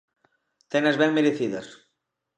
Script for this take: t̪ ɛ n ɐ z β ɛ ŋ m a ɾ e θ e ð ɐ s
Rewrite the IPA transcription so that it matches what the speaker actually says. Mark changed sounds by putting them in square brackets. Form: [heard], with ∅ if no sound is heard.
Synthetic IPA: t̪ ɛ n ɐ z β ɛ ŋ m [e] ɾ e θ [i] ð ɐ s